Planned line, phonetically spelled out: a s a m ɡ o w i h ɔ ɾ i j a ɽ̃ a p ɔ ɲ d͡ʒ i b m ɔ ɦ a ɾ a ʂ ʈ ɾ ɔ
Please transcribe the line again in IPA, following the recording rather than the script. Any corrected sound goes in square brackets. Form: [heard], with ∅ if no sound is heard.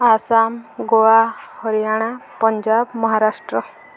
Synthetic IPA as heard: a s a m ɡ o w [a] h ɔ ɾ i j a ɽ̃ a p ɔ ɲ d͡ʒ [a] b m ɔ ɦ a ɾ a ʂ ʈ ɾ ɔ